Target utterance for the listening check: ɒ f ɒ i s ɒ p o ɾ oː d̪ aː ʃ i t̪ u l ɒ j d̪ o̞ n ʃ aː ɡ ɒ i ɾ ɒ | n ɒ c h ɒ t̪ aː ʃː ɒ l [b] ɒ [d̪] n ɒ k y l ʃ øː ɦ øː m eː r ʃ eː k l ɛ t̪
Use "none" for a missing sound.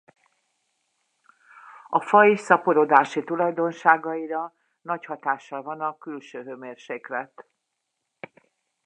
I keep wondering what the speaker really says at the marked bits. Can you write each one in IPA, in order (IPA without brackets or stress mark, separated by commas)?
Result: v, none